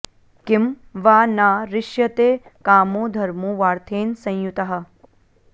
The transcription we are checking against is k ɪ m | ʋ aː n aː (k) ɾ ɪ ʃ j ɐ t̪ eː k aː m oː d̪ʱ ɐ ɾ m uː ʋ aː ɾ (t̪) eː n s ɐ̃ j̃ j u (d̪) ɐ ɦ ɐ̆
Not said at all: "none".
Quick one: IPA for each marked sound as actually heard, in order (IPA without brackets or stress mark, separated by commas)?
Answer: none, t̪ʰ, t̪